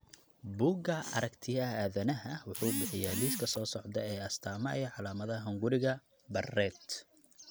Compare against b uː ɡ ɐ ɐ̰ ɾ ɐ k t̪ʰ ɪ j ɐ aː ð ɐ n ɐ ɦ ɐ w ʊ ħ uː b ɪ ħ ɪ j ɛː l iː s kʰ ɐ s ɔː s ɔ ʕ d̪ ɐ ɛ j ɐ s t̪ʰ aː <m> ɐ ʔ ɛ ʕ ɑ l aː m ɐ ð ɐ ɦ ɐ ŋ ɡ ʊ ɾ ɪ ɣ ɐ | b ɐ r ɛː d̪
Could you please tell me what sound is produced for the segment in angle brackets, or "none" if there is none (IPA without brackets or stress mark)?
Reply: m